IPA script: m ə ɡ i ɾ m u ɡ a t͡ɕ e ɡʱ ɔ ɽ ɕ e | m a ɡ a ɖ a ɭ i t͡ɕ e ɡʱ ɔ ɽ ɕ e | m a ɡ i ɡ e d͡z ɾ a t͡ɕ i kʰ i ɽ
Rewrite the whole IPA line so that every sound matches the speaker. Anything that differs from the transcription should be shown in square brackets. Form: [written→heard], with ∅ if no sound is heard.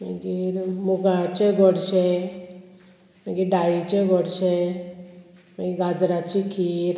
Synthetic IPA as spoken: m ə ɡ i ɾ m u ɡ a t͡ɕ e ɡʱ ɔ ɽ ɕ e | m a ɡ [a→i] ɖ a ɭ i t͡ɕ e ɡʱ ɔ ɽ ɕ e | m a ɡ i ɡ [e→a] d͡z ɾ a t͡ɕ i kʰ i [ɽ→ɾ]